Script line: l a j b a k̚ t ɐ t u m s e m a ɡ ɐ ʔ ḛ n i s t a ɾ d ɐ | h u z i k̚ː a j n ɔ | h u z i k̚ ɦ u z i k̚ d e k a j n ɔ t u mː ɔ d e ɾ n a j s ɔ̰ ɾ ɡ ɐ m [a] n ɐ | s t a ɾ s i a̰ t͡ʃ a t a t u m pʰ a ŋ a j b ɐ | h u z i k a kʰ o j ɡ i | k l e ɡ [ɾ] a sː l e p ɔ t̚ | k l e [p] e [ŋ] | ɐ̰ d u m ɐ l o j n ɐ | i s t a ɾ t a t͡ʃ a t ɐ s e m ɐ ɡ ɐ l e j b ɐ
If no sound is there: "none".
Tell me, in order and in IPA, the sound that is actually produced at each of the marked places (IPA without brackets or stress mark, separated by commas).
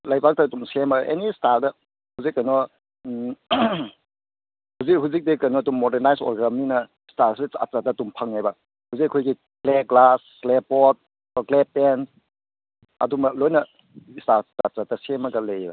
i, l, p, n